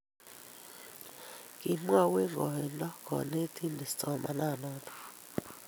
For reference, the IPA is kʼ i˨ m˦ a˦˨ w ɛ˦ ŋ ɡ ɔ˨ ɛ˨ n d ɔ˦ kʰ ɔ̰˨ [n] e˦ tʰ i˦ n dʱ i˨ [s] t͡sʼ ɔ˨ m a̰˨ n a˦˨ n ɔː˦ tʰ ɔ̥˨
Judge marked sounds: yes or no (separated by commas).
yes, yes